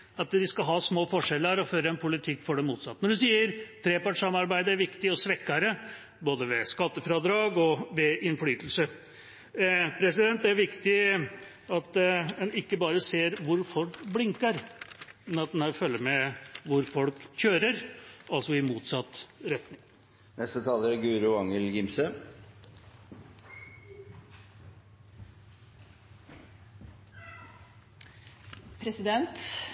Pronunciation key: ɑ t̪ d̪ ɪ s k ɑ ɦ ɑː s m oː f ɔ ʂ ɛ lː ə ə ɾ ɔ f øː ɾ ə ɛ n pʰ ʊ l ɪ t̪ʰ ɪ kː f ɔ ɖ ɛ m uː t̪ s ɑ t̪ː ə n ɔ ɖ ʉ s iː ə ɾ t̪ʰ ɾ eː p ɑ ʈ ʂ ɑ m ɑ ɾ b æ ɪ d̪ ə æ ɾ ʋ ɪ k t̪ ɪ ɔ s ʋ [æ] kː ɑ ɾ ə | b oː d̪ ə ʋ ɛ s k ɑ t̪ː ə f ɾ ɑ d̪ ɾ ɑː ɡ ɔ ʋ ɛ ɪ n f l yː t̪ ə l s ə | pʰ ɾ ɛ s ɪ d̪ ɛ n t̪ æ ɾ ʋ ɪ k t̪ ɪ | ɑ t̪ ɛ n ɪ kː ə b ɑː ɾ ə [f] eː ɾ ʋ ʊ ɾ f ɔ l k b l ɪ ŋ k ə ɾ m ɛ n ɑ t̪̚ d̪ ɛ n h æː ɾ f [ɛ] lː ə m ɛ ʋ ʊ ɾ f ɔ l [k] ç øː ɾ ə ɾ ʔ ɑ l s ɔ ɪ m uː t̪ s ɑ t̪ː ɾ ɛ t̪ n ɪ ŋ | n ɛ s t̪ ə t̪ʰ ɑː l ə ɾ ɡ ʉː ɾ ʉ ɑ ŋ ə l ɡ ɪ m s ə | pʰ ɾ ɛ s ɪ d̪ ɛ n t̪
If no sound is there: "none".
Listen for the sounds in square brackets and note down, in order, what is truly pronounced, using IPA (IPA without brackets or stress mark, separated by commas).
ɛ, s, œ, k